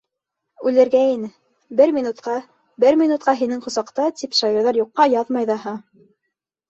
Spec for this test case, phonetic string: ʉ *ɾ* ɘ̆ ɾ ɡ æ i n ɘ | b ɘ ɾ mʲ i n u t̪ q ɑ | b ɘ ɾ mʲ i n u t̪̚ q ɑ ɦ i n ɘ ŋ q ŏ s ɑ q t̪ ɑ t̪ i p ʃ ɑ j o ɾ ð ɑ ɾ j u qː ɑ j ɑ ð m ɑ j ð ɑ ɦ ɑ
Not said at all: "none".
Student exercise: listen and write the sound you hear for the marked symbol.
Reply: l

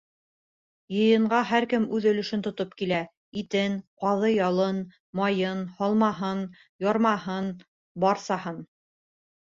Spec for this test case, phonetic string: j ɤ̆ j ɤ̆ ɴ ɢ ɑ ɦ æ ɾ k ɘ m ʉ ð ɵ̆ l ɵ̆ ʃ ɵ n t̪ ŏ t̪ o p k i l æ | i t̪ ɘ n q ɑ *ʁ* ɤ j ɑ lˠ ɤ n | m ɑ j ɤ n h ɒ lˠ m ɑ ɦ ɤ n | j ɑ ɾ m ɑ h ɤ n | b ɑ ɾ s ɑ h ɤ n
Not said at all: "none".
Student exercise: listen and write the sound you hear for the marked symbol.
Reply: ð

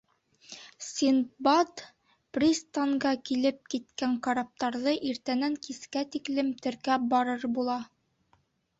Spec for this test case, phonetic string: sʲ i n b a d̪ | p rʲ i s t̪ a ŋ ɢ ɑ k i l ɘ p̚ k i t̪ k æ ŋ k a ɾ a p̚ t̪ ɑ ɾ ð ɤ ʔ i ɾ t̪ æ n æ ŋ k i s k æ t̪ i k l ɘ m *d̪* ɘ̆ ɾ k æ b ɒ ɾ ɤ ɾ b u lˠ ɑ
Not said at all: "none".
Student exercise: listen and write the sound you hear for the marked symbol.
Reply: t̪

